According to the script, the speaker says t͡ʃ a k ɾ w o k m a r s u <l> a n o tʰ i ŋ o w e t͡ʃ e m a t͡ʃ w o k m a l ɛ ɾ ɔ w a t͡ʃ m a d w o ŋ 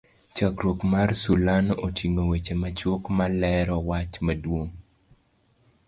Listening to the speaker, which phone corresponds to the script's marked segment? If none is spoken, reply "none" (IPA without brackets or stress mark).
l